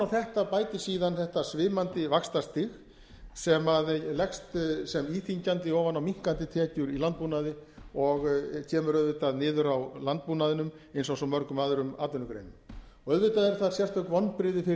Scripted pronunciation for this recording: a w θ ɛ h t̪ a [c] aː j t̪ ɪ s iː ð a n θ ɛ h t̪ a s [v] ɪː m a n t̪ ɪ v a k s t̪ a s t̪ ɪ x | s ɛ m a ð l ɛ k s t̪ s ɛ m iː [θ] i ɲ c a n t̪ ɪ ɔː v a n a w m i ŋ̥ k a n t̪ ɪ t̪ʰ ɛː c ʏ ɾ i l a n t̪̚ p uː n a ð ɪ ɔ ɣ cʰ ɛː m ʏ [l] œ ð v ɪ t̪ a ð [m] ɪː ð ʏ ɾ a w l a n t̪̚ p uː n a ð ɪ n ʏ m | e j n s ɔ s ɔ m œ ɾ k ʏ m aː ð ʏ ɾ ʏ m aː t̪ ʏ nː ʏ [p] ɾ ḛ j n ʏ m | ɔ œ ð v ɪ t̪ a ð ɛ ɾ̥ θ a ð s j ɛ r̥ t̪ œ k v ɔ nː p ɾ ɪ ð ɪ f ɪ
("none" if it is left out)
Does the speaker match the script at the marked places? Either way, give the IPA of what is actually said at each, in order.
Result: p, v, θ, ɾ, n, k

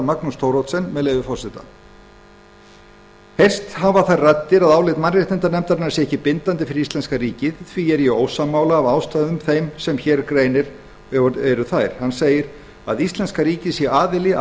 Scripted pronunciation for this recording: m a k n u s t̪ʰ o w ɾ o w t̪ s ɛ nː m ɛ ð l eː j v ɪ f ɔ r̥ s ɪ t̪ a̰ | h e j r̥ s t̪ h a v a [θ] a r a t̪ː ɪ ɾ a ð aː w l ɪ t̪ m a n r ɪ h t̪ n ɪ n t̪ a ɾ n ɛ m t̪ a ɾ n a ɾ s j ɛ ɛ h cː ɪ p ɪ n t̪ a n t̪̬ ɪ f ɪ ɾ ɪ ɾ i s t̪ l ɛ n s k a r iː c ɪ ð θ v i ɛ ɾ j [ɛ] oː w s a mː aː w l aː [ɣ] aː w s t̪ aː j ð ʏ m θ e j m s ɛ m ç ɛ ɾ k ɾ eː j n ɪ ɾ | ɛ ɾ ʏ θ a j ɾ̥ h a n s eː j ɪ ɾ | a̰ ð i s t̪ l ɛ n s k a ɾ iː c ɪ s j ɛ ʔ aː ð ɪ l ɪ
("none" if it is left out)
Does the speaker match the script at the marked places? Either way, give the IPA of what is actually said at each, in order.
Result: θ, ɛ, v

